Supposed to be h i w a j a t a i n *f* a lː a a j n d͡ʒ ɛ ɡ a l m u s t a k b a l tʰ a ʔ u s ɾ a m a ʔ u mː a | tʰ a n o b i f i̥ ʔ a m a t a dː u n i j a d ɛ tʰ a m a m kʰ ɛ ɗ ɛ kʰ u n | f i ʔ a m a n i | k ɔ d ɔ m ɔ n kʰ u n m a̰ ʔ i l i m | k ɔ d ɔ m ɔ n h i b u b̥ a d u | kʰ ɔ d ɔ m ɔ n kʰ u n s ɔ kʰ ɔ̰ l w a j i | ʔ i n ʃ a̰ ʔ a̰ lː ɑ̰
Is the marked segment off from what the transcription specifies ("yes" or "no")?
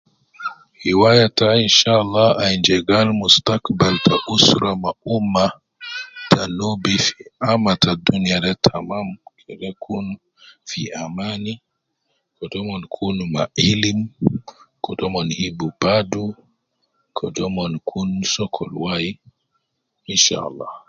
yes